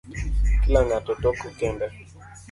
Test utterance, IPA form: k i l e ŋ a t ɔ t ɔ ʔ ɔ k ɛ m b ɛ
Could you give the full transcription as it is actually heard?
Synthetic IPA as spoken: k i l a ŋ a t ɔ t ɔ k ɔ k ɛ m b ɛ